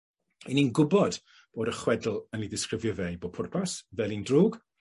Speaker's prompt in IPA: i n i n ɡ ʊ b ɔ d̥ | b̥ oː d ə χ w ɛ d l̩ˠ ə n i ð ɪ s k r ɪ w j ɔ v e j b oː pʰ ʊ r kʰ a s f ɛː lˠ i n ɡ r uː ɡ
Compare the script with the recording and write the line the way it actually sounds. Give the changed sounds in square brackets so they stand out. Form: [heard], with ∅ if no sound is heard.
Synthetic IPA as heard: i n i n ɡ ʊ b ɔ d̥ | b̥ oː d ə χ w ɛ d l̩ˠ ə n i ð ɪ s k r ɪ [v] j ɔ v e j b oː pʰ ʊ r [pʰ] a s [v] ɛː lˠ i n [d] r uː ɡ